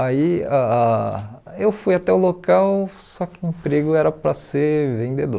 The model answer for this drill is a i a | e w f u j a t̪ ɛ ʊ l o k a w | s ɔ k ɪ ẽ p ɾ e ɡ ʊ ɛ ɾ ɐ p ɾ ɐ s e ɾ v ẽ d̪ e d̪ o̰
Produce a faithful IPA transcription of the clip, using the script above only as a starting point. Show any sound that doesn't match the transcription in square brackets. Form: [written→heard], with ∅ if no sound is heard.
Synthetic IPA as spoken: a i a | e w f u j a t̪ ɛ ʊ l o k a w | s ɔ k ɪ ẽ p ɾ e ɡ ʊ ɛ ɾ ɐ p ɾ ɐ s e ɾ v ẽ d̪ e d̪ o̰